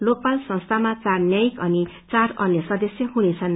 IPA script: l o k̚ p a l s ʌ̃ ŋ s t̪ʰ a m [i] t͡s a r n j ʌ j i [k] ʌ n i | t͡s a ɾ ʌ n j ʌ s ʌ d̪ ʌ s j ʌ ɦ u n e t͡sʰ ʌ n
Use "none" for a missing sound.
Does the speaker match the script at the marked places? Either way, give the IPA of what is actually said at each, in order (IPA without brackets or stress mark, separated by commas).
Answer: a, k